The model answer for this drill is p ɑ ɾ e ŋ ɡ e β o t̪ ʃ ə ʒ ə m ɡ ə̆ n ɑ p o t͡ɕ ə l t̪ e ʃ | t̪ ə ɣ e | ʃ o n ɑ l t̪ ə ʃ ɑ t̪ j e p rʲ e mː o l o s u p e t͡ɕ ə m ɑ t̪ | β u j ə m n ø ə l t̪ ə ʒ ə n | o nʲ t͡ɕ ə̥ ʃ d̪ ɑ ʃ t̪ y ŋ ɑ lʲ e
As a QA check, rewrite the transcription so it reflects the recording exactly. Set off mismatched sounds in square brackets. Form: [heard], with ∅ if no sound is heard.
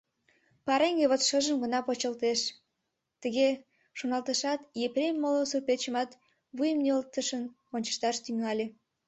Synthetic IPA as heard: p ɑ ɾ e ŋ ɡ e β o t̪ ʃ ə ʒ ə m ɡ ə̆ n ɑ p o t͡ɕ ə l t̪ e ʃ | t̪ ə ɣ e | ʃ o n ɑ l t̪ ə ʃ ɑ t̪ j e p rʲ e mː o l o s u p e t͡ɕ ə m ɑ t̪ | β u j ə m n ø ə l t̪ ə [ʃ] ə n | o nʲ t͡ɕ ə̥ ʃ [t̪] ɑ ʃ t̪ y ŋ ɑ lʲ e